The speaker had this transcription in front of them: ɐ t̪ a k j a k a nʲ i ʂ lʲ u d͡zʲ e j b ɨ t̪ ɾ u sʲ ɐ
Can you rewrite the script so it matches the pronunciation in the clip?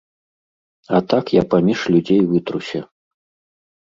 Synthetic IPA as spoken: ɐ t̪ a k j a p a mʲ i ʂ lʲ u d͡zʲ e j v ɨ t̪ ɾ u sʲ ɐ